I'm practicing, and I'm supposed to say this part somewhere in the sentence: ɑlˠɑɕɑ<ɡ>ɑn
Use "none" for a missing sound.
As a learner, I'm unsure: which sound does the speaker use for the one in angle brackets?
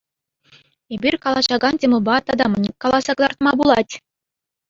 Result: ɡ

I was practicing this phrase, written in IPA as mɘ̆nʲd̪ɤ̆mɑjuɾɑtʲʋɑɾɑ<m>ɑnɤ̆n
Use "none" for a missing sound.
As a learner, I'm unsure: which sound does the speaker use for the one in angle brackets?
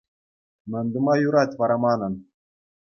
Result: m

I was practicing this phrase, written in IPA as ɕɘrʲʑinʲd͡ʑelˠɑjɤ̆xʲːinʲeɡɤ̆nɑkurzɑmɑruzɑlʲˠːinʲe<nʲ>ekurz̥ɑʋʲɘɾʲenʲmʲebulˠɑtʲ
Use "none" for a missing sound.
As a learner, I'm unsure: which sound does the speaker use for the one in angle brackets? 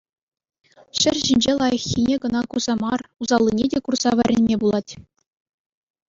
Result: dʲ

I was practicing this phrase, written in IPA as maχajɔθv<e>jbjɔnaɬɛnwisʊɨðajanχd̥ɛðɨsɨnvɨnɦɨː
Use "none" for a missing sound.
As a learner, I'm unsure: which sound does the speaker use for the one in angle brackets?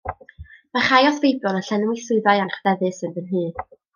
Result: e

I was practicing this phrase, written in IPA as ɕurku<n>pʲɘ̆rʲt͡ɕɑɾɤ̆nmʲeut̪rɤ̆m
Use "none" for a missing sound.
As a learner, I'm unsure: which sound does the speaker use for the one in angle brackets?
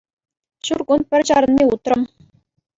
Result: n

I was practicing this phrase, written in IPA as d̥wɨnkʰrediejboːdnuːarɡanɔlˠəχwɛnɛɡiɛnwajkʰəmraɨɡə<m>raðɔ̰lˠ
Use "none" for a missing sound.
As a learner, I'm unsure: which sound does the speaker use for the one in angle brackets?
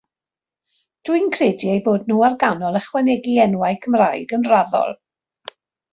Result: n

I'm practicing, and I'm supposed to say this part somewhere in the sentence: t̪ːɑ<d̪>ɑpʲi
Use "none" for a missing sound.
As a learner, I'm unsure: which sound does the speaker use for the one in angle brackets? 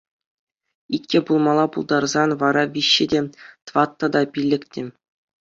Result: d̪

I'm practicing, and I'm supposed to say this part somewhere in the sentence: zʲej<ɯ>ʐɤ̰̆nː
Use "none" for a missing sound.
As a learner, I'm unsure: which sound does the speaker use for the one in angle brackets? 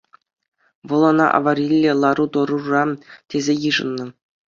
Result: ɯ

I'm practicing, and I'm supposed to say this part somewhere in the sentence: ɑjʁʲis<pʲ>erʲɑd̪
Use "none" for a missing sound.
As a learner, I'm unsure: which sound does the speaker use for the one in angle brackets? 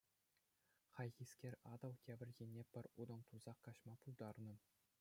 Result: kʲ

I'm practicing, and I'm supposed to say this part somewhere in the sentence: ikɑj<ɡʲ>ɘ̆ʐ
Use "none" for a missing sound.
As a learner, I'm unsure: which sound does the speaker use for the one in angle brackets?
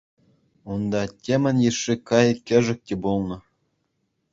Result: kʲ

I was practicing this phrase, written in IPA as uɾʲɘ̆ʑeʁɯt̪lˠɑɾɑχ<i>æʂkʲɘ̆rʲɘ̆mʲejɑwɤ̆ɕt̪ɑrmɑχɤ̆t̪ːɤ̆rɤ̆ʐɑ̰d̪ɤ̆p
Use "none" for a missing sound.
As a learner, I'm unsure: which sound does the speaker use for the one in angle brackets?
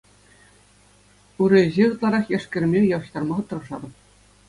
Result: j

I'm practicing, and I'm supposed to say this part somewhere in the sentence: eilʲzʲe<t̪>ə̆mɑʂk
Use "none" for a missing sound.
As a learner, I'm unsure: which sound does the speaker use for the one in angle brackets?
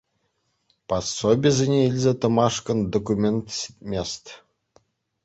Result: t̪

